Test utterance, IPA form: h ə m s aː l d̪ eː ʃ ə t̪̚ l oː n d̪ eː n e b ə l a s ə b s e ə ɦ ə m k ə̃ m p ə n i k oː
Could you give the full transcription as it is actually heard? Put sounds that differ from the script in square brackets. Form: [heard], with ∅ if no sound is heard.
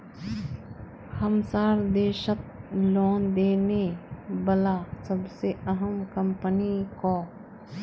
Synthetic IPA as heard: h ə m s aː [ɾ] d̪ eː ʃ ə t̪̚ l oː n d̪ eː n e b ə l a s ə b s e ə ɦ ə m k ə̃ m p ə n i k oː